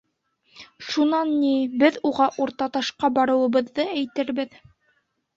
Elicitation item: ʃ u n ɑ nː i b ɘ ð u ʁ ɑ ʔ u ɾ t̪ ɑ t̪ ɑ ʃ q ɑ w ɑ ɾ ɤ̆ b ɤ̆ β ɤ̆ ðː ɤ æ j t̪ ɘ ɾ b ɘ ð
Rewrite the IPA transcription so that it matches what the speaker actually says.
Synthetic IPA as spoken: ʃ u n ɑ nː i b ɘ ð u ʁ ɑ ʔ u ɾ t̪ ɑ t̪ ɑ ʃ q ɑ b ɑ ɾ ɤ̆ w ɤ̆ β ɤ̆ ðː ɤ æ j t̪ ɘ ɾ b ɘ ð